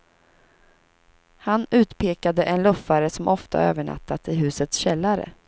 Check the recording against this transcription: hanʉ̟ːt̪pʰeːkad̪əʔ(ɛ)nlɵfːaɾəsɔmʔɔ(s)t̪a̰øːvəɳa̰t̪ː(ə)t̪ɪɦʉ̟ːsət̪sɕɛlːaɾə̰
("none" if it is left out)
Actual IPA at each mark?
ɛ, f, a

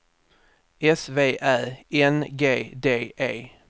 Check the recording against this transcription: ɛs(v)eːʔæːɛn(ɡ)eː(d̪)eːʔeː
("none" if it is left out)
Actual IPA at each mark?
v, ɡ, d̪

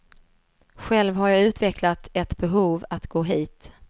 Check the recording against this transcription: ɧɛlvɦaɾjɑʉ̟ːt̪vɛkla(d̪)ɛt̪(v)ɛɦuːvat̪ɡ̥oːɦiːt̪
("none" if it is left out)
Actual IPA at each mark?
t̪, b

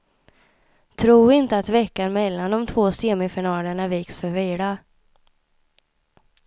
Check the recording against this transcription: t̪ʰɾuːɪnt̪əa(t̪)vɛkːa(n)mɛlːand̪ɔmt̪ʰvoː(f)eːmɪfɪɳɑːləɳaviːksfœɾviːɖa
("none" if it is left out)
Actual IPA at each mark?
t̪, n, s

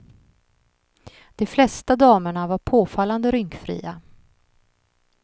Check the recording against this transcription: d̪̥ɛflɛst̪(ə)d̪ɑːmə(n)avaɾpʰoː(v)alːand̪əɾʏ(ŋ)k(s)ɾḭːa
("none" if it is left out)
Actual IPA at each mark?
a, ɳ, f, ŋ, f

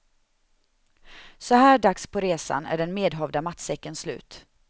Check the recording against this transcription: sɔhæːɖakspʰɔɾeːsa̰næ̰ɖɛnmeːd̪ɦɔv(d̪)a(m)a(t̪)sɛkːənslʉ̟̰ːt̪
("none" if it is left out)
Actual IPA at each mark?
d̪, m, t̪

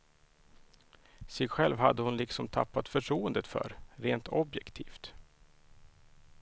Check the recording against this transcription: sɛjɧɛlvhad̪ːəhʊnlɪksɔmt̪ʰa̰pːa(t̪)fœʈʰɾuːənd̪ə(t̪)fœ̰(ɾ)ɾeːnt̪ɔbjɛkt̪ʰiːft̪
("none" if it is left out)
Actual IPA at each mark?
t̪, t̪, ɾ

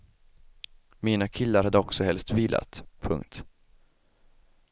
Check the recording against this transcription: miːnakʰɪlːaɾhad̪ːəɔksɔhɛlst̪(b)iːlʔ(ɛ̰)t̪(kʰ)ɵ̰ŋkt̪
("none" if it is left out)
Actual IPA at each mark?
v, a̰, pʰ

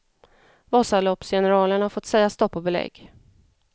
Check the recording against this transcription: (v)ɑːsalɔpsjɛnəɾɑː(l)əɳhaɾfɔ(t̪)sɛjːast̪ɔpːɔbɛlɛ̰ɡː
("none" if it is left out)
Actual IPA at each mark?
v, l, t̪

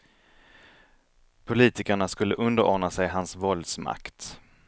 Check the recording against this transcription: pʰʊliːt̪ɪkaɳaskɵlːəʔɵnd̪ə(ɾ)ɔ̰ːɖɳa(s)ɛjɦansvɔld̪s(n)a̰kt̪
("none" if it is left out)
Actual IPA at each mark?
ɾ, s, m

